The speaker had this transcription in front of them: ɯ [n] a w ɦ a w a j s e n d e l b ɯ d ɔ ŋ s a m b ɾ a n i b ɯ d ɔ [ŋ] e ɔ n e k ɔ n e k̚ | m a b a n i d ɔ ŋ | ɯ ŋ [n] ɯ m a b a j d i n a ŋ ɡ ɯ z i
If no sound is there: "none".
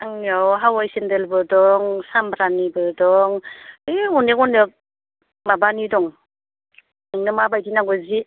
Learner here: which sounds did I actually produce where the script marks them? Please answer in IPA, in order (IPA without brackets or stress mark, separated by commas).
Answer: ŋ, ŋ, n